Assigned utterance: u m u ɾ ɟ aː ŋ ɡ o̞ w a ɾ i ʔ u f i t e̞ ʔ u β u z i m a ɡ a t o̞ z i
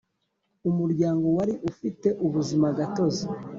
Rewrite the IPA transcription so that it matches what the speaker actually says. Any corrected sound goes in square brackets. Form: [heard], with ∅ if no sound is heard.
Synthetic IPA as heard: u m u ɾ ɟ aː ŋ ɡ o̞ w a ɾ i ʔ u f i t e̞ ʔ u β u z i m a ɡ a t o̞ z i